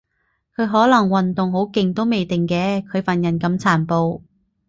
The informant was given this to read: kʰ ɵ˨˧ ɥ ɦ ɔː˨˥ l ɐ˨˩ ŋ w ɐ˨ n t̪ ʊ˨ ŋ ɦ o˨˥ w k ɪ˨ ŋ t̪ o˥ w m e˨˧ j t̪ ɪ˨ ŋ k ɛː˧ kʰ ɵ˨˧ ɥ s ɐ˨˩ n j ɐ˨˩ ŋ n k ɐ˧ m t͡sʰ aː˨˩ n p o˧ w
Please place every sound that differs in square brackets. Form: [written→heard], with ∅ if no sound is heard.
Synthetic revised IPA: kʰ ɵ˨˧ ɥ ɦ ɔː˨˥ l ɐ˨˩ ŋ w ɐ˨ n t̪ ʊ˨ ŋ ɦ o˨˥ w k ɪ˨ ŋ t̪ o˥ w m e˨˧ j t̪ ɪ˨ ŋ k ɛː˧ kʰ ɵ˨˧ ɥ [s→f] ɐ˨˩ n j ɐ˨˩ [ŋ→∅] n k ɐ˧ m t͡sʰ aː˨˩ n p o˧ w